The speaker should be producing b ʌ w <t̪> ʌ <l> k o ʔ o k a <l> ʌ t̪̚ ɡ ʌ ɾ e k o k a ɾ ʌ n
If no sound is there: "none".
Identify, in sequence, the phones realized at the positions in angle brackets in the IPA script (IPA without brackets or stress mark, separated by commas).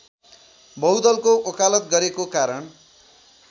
d̪, l, l